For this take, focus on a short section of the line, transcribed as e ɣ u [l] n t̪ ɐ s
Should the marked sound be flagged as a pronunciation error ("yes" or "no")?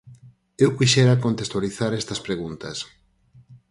yes